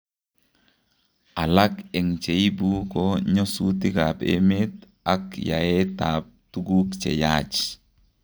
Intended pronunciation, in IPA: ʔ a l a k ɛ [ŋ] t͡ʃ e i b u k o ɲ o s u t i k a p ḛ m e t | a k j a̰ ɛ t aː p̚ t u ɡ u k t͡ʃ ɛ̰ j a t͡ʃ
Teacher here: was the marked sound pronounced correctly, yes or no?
yes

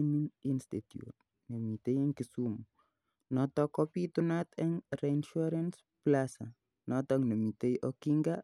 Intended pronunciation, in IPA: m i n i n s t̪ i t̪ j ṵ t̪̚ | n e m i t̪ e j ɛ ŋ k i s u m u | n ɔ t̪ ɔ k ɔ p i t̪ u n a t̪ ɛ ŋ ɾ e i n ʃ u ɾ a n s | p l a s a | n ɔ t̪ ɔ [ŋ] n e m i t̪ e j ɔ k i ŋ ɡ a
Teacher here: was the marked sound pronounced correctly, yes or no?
yes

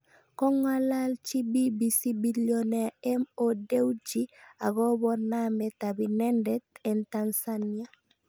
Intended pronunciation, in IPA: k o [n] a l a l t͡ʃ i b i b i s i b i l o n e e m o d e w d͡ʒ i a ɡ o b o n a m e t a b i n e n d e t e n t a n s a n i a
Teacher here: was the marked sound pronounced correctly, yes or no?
no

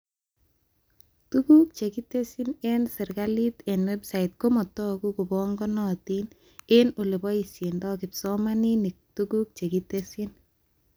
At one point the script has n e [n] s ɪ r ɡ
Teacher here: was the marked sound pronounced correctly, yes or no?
yes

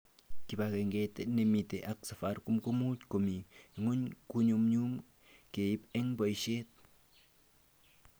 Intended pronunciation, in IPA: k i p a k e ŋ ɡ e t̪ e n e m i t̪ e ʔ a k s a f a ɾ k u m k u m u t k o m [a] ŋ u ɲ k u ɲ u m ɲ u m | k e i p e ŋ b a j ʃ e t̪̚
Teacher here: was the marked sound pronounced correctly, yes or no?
no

